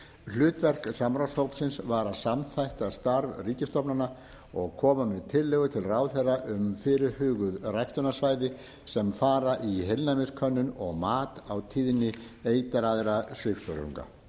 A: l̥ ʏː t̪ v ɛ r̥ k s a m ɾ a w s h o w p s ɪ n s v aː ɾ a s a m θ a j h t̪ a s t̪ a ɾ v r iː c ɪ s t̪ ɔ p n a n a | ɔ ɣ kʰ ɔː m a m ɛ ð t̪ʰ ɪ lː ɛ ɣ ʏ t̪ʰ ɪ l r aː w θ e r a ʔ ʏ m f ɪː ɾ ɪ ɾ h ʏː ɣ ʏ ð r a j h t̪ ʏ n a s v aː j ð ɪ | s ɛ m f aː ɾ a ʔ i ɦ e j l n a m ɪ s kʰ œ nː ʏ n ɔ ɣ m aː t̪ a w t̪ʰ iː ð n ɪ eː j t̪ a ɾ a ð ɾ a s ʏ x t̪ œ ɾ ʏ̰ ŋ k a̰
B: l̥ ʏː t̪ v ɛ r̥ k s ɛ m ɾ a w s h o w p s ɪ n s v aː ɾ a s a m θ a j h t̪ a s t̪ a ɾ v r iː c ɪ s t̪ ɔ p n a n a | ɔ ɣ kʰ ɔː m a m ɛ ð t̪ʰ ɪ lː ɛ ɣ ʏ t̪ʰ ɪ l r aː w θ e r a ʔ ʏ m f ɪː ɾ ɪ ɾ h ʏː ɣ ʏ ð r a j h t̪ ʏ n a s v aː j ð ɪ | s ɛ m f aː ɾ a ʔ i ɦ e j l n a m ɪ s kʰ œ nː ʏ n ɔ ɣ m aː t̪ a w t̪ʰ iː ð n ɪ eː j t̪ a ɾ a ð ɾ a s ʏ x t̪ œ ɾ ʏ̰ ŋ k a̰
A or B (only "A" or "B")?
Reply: A